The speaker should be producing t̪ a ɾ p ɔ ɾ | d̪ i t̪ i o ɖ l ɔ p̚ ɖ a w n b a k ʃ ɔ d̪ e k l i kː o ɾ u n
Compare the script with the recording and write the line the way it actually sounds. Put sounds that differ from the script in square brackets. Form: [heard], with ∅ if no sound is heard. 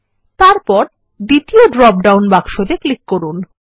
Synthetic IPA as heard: t̪ a ɾ p ɔ ɾ | d̪ i t̪ i o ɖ [ɾ] ɔ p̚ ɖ a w n b a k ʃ [o] d̪ e k l i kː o ɾ u n